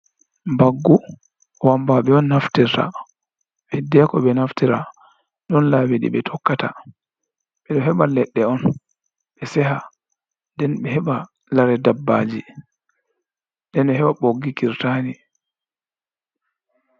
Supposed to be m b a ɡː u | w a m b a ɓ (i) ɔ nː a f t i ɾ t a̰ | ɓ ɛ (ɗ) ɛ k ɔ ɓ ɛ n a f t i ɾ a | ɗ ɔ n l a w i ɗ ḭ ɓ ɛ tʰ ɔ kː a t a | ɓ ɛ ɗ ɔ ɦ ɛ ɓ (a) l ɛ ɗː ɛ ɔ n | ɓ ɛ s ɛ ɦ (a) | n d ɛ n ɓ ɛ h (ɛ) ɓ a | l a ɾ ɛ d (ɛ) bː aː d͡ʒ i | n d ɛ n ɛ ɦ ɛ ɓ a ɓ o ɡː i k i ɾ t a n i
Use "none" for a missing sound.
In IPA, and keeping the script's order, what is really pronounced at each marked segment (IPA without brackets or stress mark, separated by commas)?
ɛ, d, a, a, ɛ, a